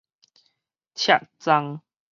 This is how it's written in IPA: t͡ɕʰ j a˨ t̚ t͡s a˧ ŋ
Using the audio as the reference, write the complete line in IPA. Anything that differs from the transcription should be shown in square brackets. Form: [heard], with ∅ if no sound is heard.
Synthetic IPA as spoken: t͡ɕʰ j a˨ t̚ t͡s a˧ ŋ